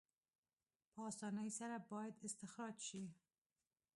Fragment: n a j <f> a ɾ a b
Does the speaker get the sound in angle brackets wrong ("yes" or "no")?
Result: yes